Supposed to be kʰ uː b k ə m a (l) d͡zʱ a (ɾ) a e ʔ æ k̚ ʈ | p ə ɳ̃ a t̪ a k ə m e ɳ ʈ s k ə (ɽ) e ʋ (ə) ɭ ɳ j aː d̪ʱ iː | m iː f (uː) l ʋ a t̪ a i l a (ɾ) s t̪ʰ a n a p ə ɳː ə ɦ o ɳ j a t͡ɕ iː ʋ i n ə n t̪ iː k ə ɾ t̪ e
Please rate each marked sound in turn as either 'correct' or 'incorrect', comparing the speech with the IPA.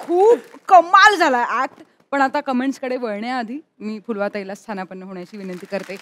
correct, incorrect: l, correct, correct, incorrect: u, incorrect: none

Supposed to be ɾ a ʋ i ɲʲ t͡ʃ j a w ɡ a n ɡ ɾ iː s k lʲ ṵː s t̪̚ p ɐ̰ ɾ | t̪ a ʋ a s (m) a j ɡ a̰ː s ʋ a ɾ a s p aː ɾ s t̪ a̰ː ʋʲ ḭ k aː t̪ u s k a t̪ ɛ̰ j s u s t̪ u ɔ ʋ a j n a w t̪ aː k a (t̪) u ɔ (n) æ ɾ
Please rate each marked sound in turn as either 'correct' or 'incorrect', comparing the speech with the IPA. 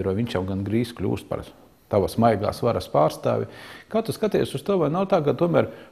correct, correct, incorrect: m

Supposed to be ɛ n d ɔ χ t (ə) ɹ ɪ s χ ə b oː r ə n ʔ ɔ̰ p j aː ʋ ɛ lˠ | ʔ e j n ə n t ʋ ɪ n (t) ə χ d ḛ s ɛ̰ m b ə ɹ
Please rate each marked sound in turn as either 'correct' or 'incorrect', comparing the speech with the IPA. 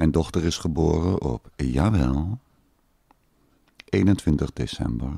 correct, correct

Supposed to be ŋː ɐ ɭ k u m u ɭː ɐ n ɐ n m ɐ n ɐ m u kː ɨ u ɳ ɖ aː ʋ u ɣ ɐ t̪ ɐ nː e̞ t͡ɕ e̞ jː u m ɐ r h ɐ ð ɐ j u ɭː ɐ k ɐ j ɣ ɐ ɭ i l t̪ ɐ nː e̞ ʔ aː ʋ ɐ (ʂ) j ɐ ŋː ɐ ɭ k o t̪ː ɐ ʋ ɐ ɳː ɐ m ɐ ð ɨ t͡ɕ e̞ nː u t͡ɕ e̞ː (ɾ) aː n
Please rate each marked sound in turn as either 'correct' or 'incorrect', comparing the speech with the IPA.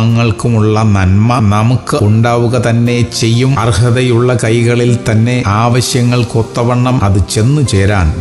incorrect: ɕ, correct

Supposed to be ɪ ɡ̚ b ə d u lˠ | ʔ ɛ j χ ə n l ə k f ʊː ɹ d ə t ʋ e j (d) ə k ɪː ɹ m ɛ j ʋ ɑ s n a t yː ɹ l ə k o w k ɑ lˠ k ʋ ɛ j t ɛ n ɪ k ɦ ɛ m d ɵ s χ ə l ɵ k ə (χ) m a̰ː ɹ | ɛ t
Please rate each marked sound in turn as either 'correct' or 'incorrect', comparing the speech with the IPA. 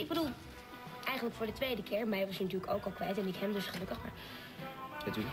correct, correct

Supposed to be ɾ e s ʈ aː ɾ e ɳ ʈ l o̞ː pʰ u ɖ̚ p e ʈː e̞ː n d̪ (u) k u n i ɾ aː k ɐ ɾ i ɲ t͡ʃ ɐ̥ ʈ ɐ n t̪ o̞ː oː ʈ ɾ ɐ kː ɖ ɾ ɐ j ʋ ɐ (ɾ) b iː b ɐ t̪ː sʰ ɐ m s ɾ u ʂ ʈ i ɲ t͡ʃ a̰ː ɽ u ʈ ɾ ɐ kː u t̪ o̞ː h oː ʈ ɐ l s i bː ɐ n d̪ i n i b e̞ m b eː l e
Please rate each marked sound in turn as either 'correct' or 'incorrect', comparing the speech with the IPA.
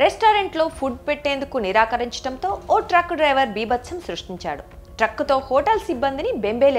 correct, correct

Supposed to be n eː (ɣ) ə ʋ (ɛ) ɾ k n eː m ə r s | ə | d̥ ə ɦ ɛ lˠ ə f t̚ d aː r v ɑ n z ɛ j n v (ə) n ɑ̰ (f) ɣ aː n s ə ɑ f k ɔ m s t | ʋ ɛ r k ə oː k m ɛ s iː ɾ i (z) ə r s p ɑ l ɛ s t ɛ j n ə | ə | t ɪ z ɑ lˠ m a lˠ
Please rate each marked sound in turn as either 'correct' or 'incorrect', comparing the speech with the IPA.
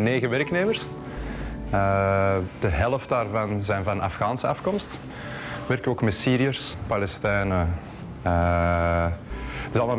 correct, correct, incorrect: ɑ, correct, incorrect: none

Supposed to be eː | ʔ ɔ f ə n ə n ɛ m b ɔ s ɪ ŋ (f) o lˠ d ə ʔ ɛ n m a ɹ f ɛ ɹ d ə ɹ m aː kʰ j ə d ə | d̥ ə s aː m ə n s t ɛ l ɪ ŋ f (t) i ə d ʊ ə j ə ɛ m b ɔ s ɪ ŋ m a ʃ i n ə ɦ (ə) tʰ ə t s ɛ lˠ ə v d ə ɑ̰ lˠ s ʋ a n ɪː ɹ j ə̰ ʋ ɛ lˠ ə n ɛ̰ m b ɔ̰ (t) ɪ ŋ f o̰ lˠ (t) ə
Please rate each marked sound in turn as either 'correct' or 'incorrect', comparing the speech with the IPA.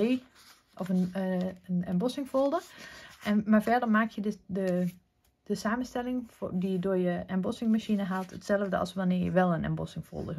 correct, incorrect: d, incorrect: a, incorrect: s, incorrect: d

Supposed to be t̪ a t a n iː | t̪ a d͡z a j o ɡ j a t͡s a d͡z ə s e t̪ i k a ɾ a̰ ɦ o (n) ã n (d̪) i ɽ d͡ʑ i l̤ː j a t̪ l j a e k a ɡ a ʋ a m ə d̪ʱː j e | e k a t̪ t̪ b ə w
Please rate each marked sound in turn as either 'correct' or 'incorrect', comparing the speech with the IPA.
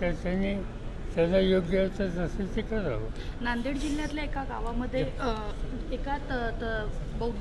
correct, correct

